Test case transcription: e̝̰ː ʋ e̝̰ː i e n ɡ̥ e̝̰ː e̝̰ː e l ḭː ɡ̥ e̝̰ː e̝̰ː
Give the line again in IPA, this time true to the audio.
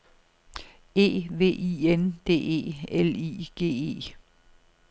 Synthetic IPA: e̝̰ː ʋ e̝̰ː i e n d̥ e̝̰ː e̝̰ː e l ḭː ɡ̥ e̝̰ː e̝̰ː